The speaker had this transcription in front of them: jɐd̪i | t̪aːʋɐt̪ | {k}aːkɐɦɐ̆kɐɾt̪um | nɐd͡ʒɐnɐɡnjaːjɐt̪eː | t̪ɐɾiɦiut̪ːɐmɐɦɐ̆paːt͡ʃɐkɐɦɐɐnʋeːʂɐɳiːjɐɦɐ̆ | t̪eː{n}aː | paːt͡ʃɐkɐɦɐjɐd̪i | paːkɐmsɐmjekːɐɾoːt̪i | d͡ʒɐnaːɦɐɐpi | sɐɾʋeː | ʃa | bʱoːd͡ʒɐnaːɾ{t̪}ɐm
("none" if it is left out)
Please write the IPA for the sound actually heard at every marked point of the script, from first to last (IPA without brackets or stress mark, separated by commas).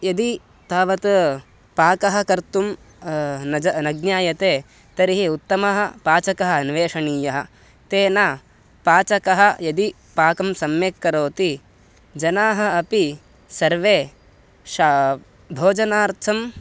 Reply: p, n, t̪ʰ